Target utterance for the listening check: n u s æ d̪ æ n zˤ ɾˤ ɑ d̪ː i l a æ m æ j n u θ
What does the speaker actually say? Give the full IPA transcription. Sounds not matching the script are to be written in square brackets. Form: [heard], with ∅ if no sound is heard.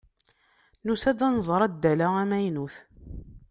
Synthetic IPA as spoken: n u s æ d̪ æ n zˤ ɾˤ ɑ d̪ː [æ] l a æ m æ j n u θ